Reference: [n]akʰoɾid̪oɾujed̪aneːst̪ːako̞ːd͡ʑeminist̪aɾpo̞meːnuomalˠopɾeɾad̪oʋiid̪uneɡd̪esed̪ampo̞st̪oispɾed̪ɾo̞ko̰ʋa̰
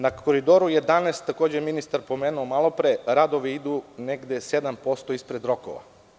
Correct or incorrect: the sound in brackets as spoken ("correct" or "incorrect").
correct